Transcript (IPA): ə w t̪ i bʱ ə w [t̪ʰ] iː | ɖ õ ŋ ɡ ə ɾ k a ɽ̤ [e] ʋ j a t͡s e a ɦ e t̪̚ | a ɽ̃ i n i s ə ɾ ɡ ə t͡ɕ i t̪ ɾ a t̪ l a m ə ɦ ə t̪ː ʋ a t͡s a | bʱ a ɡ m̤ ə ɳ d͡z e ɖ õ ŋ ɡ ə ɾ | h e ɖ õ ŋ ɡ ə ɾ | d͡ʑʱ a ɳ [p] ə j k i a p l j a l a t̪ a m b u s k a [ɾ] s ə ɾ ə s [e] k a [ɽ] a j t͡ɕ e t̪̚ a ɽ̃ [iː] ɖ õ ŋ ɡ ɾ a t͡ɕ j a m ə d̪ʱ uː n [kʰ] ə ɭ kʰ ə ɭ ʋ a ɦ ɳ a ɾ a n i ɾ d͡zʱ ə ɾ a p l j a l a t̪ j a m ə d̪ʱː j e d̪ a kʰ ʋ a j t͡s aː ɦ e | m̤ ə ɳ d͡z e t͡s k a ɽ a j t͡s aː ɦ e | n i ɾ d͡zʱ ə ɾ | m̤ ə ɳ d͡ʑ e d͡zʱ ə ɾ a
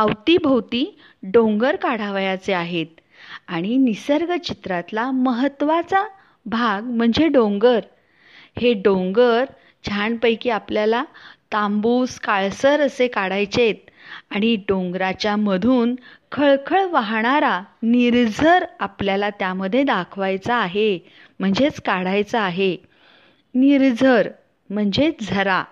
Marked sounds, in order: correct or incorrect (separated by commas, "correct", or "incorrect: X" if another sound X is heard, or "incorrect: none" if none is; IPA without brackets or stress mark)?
incorrect: t̪, incorrect: a, correct, incorrect: ɭ, correct, correct, incorrect: i, correct